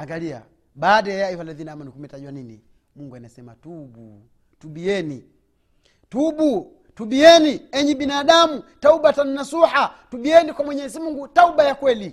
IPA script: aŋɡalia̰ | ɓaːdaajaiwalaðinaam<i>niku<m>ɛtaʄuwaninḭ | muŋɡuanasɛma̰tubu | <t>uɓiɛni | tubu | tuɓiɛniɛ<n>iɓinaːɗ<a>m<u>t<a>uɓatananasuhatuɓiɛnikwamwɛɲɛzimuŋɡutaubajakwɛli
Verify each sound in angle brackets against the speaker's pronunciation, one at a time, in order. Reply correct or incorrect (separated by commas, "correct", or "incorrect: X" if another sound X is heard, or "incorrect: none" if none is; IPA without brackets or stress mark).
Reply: incorrect: a, correct, correct, incorrect: ɲ, correct, correct, correct